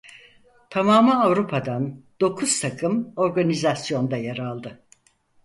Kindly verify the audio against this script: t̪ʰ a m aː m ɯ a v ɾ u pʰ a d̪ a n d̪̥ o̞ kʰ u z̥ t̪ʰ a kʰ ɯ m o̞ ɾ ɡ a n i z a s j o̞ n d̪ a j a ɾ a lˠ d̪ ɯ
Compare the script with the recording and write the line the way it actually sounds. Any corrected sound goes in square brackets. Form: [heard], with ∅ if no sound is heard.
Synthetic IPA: t̪ʰ a m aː m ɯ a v ɾ u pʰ a d̪ a n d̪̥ o̞ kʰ u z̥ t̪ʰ a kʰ ɯ m o̞ ɾ ɡ a n i z a s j o̞ n d̪ a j a ɾ a lˠ d̪ ɯ